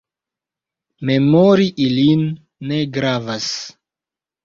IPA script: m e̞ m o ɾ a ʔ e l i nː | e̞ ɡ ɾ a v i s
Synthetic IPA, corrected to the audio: m e̞ m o ɾ i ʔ i l i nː | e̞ ɡ ɾ a v a s